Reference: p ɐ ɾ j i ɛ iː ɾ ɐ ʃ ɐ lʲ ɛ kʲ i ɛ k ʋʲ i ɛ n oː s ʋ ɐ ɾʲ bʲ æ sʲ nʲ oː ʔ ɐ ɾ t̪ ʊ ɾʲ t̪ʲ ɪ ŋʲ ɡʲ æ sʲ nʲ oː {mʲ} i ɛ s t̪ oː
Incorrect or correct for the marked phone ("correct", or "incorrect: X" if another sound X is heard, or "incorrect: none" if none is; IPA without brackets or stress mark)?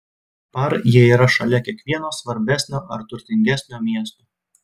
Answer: correct